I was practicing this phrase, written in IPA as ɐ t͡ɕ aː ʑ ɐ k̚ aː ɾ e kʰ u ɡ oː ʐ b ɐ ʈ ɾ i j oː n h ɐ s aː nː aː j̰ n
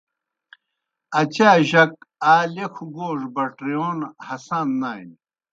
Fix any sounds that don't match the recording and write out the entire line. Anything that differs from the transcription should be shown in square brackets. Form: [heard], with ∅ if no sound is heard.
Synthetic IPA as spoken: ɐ t͡ɕ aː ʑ ɐ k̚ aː [l] e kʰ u ɡ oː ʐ b ɐ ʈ ɾ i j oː n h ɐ s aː nː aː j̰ n